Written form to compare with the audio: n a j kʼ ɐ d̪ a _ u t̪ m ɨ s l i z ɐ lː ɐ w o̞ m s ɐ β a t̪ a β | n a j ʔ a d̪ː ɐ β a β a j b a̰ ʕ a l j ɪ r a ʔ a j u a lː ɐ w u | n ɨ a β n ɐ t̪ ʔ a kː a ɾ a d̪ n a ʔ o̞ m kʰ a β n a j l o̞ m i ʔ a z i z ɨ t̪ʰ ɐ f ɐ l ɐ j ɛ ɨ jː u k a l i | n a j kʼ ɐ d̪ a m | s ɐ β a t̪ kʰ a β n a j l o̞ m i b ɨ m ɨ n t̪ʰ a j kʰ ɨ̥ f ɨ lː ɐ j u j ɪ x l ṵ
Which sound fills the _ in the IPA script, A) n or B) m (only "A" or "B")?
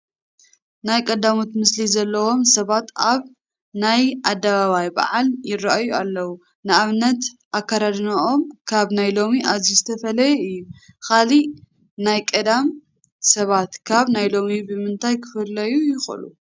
B